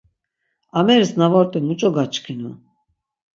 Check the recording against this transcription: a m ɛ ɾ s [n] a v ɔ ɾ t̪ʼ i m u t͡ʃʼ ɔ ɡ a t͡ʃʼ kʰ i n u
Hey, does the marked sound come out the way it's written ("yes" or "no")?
yes